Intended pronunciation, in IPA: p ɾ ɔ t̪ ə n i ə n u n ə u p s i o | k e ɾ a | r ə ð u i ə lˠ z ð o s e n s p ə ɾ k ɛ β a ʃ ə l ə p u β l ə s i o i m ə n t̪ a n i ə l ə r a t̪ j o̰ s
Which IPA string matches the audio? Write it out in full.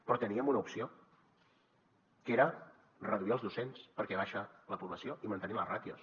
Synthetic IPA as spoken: p ɾ ɔ t̪ ə n i ə m u n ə u p s i o | k e ɾ ə | r ə ð u i ə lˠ z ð u s e n s p ə ɾ k ɛ β a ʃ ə l ə p u β l ə s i o i m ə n t̪ ə n i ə l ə r a t̪ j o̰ s